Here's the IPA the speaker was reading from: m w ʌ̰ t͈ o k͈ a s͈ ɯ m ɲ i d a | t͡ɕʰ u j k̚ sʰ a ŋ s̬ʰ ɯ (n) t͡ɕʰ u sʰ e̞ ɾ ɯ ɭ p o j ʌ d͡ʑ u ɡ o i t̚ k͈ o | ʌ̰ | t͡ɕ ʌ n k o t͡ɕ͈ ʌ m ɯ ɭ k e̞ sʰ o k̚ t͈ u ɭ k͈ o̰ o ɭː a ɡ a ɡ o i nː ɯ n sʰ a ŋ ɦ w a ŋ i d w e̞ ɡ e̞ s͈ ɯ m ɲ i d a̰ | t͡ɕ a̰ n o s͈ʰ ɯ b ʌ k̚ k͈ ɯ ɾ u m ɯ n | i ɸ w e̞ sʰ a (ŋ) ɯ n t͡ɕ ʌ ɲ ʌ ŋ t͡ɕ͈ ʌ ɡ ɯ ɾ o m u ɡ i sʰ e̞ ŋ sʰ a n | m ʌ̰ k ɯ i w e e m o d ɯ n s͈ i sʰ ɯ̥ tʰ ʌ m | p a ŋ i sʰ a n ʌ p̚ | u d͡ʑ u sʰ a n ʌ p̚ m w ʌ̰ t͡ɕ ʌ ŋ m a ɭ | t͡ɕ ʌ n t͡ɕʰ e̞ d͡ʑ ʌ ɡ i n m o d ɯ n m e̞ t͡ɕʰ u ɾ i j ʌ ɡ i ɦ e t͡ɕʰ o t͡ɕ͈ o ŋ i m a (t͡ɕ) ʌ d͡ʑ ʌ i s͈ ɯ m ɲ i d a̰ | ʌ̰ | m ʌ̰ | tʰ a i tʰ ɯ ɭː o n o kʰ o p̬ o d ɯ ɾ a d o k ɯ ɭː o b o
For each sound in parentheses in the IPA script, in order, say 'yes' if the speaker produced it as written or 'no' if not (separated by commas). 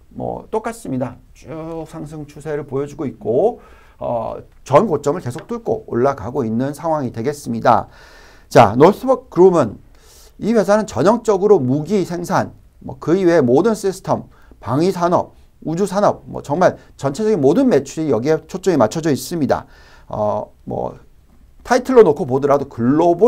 no, no, no